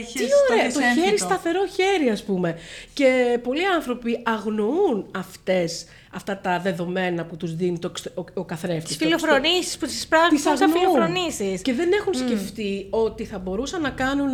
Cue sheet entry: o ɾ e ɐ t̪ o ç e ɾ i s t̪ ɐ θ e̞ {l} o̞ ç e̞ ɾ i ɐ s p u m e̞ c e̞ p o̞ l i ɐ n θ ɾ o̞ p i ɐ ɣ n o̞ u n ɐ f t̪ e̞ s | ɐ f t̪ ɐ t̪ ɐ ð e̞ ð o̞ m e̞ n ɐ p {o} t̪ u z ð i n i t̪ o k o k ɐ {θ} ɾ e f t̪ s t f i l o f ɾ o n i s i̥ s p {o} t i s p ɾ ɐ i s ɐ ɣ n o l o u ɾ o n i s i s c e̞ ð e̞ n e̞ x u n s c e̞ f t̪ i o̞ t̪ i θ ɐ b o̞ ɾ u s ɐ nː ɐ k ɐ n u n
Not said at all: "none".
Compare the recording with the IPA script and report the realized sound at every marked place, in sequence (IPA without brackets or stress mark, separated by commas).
ɾ, u, θ, u